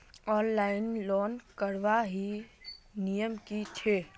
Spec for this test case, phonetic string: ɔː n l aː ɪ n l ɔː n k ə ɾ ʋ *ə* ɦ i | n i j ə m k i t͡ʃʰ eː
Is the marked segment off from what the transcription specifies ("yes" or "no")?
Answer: yes